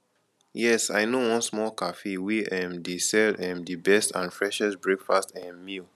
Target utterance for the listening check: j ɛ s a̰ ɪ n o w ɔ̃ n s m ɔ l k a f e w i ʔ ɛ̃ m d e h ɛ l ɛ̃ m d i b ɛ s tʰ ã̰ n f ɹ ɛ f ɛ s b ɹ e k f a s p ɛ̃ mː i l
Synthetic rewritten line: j ɛ s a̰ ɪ n o w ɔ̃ n s m ɔ l k a f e w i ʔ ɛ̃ m d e s ɛ l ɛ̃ m d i b ɛ s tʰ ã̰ n f ɹ ɛ ʃ ɛ s b ɹ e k f a s t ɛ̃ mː i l